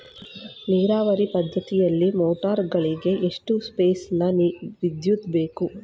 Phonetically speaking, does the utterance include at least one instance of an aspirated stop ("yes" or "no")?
no